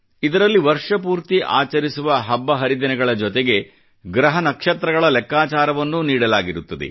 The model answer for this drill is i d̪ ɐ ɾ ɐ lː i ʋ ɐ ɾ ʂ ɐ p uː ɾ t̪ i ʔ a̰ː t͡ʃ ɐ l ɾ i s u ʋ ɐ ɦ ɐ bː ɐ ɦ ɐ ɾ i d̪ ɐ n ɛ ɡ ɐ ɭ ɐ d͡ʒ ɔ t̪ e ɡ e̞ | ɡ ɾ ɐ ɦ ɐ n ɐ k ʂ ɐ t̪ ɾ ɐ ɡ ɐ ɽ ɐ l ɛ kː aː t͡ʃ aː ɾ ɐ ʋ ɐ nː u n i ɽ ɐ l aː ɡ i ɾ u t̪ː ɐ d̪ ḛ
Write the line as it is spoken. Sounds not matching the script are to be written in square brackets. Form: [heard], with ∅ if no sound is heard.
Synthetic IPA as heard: i d̪ ɐ ɾ ɐ lː i ʋ ɐ ɾ ʂ ɐ p uː ɾ t̪ i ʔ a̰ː t͡ʃ ɐ [∅] ɾ i s u ʋ ɐ ɦ ɐ bː ɐ ɦ ɐ ɾ i d̪ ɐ n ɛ ɡ ɐ ɭ ɐ d͡ʒ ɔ t̪ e ɡ e̞ | ɡ ɾ ɐ ɦ ɐ n ɐ k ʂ ɐ t̪ ɾ ɐ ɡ ɐ [ɭ] ɐ l ɛ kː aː t͡ʃ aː ɾ ɐ ʋ ɐ nː u n [iː] ɽ ɐ l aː ɡ i ɾ u t̪ː ɐ d̪ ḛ

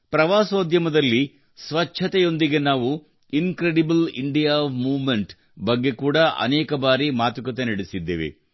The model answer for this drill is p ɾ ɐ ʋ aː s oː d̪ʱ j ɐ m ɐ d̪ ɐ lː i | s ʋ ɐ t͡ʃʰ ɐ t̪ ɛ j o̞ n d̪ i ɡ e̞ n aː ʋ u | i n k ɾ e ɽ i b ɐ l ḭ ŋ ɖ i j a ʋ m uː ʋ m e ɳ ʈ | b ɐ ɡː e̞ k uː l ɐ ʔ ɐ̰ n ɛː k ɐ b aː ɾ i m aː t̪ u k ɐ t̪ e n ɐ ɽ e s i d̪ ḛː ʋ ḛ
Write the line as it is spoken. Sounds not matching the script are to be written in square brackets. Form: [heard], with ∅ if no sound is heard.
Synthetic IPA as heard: p ɾ ɐ ʋ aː s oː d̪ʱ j ɐ m ɐ d̪ ɐ lː i | s ʋ ɐ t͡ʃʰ ɐ t̪ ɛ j o̞ n d̪ i ɡ e̞ n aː ʋ u | i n k ɾ e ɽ i b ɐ l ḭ [ɳ] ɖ i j a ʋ m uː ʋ m e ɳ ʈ | b ɐ ɡː e̞ k uː [ɽ] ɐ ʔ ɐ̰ n ɛː k ɐ b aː ɾ i m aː t̪ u k ɐ t̪ e n ɐ ɽ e s i [d̪ː] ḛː ʋ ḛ

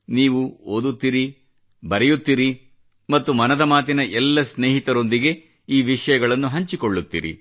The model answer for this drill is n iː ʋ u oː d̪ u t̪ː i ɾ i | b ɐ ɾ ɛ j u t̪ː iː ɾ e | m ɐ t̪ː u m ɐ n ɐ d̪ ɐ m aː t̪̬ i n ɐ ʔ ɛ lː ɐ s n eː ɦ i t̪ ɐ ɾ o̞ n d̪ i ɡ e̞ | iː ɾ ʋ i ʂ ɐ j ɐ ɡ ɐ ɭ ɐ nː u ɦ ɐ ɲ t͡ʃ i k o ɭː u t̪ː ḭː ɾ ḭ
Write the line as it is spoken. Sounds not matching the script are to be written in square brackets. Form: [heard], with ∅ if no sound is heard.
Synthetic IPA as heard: n iː ʋ u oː d̪ u t̪ː i ɾ i | b ɐ ɾ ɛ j u t̪ː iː ɾ [i] | m ɐ t̪ː u m ɐ n ɐ d̪ ɐ m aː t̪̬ i n ɐ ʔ ɛ lː ɐ s n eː ɦ i t̪ ɐ ɾ o̞ n d̪ i ɡ e̞ | iː [∅] ʋ i ʂ ɐ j ɐ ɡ ɐ ɭ ɐ nː u ɦ ɐ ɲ t͡ʃ i k o ɭː u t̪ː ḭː ɾ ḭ

